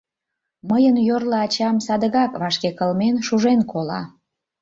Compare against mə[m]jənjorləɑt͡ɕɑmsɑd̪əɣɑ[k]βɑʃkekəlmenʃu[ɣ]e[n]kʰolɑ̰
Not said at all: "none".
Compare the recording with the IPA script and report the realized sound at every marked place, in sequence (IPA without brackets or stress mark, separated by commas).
none, k, ʒ, n